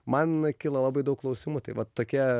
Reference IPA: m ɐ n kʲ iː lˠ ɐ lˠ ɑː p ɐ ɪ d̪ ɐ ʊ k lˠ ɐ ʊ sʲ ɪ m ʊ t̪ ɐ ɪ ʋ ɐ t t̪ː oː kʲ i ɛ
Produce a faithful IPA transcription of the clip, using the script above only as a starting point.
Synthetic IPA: m ɐ n kʲ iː lˠ ɐ lˠ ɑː b ɐ ɪ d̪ ɐ ʊ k lˠ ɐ ʊ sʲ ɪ m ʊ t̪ ɐ ɪ ʋ ɐ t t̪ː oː kʲ i ɛ